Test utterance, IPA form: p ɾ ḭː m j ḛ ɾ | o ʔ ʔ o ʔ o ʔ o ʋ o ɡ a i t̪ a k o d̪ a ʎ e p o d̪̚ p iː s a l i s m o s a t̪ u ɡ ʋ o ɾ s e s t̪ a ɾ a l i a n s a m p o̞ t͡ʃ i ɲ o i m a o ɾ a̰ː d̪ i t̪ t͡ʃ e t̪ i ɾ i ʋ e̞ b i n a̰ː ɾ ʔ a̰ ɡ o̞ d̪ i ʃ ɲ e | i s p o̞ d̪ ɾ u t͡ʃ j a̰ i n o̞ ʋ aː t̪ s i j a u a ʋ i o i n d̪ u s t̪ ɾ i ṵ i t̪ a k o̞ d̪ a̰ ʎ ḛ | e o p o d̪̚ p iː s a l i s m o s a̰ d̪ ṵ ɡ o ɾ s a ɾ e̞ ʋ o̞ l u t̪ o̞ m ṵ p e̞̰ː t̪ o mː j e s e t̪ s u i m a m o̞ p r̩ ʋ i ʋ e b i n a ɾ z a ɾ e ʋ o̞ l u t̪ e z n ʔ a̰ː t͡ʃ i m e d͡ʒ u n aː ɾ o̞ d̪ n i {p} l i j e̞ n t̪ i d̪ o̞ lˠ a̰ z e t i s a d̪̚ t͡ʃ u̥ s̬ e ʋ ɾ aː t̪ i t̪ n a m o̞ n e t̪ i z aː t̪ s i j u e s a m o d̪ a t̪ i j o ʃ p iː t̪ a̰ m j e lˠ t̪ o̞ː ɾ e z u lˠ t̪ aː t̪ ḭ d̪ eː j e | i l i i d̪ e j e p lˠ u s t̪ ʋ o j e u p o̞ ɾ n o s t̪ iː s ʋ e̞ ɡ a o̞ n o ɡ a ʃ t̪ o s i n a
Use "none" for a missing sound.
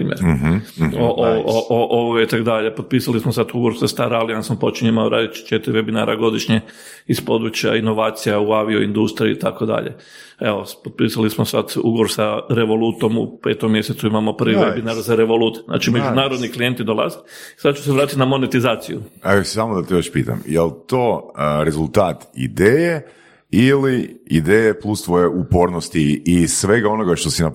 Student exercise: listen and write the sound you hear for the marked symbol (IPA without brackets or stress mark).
k